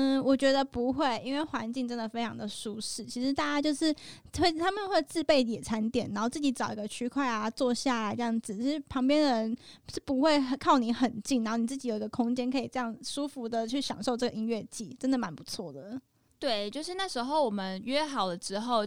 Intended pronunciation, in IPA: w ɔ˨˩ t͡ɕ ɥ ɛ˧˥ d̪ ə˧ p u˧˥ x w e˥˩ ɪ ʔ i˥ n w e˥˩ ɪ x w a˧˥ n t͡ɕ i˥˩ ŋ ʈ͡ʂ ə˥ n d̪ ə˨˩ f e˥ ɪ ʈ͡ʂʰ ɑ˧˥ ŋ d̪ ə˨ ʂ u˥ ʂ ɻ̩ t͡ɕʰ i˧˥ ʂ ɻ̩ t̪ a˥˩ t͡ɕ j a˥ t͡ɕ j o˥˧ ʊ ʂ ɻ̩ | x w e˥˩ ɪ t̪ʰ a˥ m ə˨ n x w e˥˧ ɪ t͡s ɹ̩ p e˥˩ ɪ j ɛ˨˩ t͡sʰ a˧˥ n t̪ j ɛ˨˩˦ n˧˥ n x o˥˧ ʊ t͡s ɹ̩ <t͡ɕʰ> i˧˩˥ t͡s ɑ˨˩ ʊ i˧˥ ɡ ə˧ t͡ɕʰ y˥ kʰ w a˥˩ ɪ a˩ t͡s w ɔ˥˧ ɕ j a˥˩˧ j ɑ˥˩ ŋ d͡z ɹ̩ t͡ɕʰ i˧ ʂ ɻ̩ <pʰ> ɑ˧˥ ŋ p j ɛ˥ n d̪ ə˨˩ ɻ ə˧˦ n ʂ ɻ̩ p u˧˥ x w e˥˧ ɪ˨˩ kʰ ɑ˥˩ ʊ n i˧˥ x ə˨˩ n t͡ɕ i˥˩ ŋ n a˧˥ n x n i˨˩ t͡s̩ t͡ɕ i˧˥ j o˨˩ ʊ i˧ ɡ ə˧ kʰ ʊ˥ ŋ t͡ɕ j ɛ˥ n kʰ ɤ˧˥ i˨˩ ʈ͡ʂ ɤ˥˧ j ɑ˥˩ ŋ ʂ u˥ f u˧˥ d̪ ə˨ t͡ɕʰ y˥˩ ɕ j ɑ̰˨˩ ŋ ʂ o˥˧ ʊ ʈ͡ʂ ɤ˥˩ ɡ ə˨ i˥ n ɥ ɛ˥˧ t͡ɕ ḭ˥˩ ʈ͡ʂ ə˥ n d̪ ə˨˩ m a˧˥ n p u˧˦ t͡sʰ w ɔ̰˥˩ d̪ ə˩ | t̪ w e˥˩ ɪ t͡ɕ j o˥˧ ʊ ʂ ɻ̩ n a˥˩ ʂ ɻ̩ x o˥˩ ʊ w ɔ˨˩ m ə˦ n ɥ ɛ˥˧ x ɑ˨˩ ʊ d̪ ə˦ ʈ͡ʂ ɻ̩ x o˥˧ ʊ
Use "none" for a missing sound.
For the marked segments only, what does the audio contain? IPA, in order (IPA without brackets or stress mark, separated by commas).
t͡ɕ, pʰ